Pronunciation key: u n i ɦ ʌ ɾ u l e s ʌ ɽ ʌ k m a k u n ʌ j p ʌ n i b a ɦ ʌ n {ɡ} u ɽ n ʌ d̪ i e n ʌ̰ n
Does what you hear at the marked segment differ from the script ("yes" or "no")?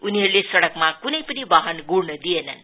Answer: no